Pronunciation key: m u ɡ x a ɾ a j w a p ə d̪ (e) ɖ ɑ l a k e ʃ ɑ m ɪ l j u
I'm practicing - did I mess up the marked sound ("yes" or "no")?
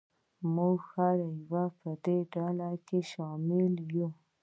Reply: no